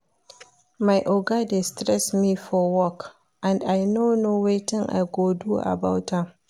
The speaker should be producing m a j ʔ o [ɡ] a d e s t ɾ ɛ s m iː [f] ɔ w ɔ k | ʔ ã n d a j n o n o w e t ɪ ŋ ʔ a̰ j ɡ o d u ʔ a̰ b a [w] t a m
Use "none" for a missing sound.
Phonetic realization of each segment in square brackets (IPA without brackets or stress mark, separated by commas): ɡ, f, w